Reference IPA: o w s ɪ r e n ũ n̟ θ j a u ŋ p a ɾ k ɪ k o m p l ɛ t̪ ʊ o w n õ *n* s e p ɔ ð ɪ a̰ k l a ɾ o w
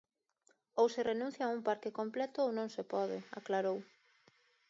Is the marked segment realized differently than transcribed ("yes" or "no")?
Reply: yes